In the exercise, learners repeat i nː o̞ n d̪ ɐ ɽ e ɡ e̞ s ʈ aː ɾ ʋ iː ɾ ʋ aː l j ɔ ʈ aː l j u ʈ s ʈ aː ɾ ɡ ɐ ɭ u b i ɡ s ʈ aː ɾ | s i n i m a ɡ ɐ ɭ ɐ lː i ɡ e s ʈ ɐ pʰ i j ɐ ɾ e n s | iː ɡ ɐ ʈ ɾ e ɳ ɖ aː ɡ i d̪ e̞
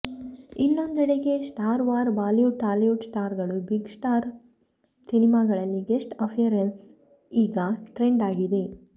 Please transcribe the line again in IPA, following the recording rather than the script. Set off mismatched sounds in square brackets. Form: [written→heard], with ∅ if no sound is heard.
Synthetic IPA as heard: i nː o̞ n d̪ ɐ ɽ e ɡ e̞ s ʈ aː ɾ ʋ [iː→aː] ɾ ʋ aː l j [ɔ→u] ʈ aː l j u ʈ s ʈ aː ɾ ɡ ɐ ɭ u b i ɡ s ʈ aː ɾ | s i n i m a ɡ ɐ ɭ ɐ lː i ɡ e s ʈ ɐ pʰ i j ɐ ɾ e n s | iː ɡ ɐ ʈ ɾ e ɳ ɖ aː ɡ i d̪ e̞